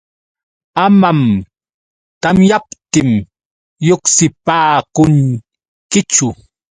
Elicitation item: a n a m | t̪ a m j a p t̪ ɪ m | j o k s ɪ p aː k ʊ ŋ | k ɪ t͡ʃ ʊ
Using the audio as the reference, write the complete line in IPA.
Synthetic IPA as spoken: a m a m | t̪ a m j a p t̪ ɪ m | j o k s ɪ p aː k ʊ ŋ | k ɪ t͡ʃ ʊ